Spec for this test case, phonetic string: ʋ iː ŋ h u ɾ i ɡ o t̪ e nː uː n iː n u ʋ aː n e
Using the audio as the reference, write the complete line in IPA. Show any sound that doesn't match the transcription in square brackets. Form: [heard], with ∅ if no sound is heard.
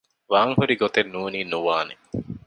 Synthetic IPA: ʋ [aː] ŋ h u ɾ i ɡ o t̪ e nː uː n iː n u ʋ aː n e